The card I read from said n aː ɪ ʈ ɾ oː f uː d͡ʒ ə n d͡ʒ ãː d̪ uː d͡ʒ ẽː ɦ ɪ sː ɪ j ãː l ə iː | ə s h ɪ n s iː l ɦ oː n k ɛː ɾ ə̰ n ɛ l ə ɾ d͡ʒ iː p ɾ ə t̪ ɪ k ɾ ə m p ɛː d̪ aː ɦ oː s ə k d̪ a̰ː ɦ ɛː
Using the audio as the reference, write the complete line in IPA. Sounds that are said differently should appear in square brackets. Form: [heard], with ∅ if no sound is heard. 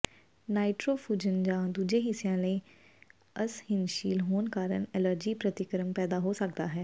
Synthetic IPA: n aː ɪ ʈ ɾ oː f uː d͡ʒ ə n d͡ʒ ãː d̪ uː d͡ʒ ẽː ɦ ɪ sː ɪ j ãː l ə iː | ə s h ɪ n [ʃ] iː l ɦ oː n k [aː] ɾ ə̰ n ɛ l ə ɾ d͡ʒ iː p ɾ ə t̪ ɪ k ɾ ə m p ɛː d̪ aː ɦ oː s ə k d̪ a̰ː ɦ ɛː